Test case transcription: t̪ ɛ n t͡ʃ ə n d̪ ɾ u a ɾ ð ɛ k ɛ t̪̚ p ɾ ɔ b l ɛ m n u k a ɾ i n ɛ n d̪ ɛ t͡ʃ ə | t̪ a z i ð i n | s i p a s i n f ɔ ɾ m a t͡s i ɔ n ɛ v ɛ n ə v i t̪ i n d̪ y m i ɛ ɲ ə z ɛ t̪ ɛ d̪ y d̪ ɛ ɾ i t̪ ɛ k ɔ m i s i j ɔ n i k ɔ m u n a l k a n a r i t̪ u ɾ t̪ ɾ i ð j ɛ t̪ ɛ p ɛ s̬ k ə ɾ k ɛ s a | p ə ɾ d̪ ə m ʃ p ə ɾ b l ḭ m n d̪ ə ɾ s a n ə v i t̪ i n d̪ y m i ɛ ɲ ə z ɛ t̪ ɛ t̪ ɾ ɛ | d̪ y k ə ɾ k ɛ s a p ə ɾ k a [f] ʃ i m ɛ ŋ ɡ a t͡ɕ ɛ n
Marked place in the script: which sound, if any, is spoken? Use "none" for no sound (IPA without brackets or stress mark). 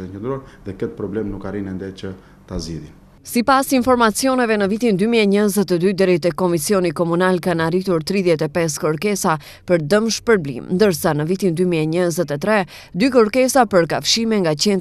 f